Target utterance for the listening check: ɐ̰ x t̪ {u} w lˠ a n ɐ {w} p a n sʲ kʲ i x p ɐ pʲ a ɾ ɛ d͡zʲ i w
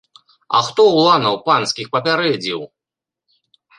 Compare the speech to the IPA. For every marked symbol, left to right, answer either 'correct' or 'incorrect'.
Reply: incorrect: ɔ, correct

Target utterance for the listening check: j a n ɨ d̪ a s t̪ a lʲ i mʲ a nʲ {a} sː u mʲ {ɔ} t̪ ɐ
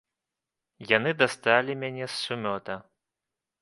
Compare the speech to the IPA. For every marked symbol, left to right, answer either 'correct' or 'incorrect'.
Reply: incorrect: ɛ, correct

